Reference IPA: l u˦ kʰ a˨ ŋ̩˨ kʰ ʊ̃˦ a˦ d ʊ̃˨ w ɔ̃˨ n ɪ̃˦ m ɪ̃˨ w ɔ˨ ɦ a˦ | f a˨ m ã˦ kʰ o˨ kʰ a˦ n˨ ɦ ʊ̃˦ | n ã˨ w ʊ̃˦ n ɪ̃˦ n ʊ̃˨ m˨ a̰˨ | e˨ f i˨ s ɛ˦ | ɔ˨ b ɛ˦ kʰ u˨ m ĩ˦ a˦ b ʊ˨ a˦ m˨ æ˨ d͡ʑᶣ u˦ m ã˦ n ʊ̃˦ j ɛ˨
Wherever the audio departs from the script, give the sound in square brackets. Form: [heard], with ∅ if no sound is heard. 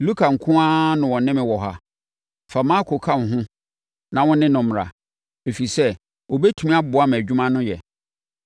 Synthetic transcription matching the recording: l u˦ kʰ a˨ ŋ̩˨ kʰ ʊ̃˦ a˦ [n] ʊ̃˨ w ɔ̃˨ n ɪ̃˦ m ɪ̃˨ w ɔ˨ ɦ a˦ | f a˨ m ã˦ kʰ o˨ kʰ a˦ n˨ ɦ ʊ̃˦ | n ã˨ w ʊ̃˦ n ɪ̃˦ n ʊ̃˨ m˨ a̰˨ | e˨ f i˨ s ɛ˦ | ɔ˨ b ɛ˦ [tʰ] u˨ m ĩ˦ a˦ b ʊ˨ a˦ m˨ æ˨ d͡ʑᶣ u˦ m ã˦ n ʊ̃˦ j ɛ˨